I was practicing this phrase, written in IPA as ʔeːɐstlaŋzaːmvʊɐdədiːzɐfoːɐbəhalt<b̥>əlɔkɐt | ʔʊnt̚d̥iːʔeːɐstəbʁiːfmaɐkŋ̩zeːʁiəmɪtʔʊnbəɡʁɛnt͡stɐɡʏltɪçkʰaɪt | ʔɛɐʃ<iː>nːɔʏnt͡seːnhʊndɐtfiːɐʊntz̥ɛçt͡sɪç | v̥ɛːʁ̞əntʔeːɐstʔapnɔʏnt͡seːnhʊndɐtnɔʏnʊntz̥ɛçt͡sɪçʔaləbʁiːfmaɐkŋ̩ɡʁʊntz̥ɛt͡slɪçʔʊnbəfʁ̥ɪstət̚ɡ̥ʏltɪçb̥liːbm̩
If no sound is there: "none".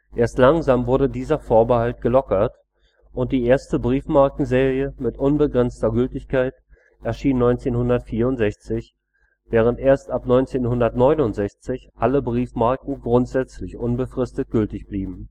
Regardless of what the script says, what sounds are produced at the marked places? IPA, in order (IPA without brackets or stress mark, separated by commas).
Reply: ɡ̥, iː